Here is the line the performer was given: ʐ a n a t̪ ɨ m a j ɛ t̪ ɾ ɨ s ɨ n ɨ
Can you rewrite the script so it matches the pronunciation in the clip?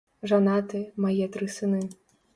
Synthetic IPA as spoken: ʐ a n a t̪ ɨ m a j ɛ t̪ ɾ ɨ s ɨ n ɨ